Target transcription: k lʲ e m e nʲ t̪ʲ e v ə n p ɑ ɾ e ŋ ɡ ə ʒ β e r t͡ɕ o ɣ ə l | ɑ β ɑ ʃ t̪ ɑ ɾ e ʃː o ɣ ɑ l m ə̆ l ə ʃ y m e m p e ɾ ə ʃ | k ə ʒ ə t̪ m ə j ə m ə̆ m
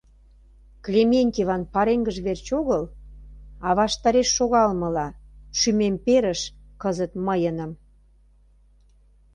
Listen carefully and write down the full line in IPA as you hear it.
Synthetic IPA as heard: k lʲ e m e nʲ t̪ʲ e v ɑ n p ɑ ɾ e ŋ ɡ ə ʒ β e r t͡ɕ o ɣ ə l | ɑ β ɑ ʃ t̪ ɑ ɾ e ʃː o ɣ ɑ l m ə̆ l ɑ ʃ y m e m p e ɾ ə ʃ | k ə z ə t̪ m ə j ə n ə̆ m